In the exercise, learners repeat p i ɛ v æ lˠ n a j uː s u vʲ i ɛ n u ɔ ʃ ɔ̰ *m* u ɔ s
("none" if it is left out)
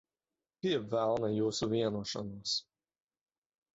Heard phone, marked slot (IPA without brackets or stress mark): n